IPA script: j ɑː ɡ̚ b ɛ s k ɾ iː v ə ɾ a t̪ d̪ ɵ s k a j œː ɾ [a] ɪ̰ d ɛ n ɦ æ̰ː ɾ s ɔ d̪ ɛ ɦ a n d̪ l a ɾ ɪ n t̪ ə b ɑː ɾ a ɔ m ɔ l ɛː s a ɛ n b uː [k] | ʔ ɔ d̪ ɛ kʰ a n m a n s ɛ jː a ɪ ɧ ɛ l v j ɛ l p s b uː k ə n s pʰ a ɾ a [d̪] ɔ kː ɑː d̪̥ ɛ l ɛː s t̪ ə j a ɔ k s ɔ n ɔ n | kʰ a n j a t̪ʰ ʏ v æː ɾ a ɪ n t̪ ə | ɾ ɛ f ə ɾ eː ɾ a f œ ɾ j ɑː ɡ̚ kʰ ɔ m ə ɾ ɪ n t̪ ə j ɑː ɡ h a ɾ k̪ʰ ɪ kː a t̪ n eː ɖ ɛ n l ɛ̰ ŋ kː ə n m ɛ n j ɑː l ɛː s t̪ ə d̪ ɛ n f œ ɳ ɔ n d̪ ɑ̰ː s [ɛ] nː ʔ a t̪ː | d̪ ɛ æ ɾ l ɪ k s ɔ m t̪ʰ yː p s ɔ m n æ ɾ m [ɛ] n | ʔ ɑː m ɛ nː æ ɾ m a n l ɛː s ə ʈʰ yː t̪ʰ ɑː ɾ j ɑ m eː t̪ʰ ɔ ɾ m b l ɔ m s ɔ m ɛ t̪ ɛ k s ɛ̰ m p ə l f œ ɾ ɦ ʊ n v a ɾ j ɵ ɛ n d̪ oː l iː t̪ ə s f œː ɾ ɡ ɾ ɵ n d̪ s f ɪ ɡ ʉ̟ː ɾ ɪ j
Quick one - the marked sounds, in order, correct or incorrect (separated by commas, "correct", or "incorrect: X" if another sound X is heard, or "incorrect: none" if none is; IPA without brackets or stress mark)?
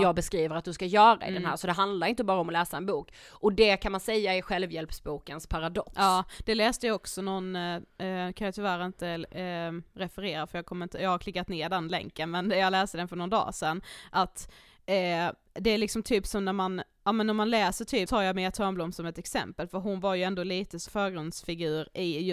correct, correct, correct, correct, incorrect: a